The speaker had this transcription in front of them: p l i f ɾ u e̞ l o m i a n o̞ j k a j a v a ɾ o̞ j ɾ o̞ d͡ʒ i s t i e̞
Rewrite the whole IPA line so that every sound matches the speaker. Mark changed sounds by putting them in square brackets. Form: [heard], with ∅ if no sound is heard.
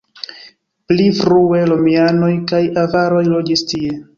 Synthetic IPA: p l i f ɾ u e̞ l o m i a n o̞ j k a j a v a ɾ o̞ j [l] o̞ d͡ʒ i s t i e̞